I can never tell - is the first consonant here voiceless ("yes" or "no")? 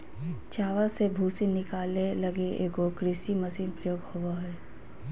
yes